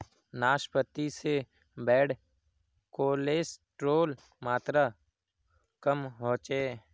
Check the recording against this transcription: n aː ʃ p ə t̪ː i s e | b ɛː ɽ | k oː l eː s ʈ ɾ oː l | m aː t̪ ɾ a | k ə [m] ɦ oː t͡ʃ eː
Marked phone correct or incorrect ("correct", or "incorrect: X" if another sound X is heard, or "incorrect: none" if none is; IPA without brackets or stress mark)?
correct